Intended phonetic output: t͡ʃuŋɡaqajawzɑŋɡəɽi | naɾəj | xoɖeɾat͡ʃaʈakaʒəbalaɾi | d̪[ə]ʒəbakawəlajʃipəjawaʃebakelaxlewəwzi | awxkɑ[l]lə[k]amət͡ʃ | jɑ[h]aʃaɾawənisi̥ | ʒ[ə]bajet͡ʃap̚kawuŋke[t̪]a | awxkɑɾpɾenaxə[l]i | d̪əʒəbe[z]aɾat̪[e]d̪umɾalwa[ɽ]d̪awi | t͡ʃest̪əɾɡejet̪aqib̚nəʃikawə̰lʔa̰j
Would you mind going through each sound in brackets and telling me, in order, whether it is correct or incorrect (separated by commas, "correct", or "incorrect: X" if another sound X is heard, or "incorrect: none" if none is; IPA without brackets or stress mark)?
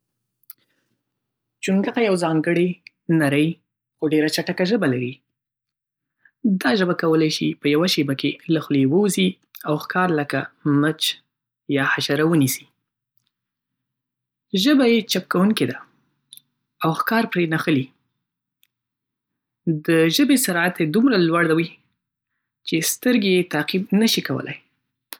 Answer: incorrect: ɑ, incorrect: ɾ, correct, correct, correct, incorrect: d̪, correct, incorrect: s, correct, correct